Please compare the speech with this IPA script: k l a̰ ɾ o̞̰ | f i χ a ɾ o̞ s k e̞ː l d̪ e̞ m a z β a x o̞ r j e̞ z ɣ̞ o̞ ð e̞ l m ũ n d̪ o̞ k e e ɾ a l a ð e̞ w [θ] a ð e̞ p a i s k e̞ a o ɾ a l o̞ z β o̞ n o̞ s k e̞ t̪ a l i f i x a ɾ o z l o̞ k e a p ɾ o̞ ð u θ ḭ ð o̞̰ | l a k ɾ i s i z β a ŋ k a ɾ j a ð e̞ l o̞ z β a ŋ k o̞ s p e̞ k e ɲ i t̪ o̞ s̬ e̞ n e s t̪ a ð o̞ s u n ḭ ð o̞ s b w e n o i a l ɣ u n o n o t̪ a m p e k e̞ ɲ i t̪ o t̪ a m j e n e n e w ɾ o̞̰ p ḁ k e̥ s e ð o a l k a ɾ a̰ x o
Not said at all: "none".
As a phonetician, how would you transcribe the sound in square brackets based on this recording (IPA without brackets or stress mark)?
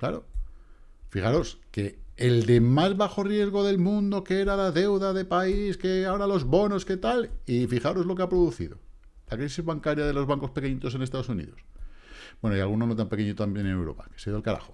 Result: ð